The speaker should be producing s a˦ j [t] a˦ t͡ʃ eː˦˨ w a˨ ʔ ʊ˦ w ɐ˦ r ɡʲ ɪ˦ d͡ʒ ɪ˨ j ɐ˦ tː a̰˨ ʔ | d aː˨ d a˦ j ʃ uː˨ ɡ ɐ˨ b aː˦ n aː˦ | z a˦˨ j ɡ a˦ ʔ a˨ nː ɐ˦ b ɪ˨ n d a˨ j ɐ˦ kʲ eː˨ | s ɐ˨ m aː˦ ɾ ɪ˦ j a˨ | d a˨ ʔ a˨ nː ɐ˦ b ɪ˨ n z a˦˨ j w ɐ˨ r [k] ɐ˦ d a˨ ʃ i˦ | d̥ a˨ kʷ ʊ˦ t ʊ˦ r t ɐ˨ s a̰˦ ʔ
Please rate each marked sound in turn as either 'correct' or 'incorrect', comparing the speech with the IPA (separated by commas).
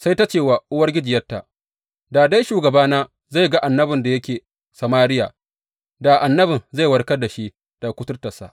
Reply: correct, correct